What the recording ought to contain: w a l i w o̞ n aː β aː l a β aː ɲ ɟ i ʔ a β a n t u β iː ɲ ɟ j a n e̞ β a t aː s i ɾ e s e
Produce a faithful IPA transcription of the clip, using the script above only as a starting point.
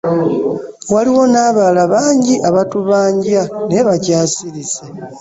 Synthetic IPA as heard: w a l i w o̞ n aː β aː l a β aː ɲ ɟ i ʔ a β a t u β aː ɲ ɟ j a n e̞ β a c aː s i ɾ i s e